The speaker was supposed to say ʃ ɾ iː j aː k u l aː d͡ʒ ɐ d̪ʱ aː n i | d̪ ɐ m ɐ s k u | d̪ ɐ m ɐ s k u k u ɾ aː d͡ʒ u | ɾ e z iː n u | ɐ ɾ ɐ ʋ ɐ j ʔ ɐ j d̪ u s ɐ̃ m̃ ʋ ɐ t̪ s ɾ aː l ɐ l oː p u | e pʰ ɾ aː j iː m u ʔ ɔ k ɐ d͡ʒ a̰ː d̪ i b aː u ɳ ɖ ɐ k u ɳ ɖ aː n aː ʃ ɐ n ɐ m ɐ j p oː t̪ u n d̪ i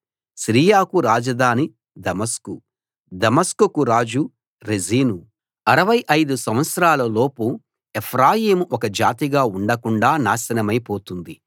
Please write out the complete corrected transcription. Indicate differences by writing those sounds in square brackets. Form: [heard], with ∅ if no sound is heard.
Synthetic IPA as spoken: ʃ ɾ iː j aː k u [ɾ] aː d͡ʒ ɐ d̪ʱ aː n i | d̪ ɐ m ɐ s k u | d̪ ɐ m ɐ s k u k u ɾ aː d͡ʒ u | ɾ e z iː n u | ɐ ɾ ɐ ʋ ɐ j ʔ ɐ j d̪ u s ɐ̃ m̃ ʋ ɐ t̪ s ɾ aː l ɐ l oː p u | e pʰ ɾ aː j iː m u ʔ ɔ k ɐ d͡ʒ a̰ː [t̪] i [ɡ] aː u ɳ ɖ ɐ k u ɳ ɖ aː n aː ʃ ɐ n ɐ m ɐ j p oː t̪ u n d̪ i